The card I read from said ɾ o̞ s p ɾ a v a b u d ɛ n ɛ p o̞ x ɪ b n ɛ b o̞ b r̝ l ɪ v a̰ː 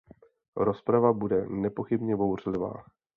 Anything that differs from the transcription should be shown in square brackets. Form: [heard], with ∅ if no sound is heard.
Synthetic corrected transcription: ɾ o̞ s p ɾ a v a b u d ɛ n ɛ p o̞ x ɪ b [ɲ] ɛ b o̞ [w] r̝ l ɪ v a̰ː